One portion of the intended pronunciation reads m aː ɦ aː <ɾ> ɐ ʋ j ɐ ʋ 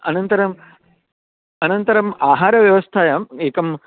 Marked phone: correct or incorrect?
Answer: correct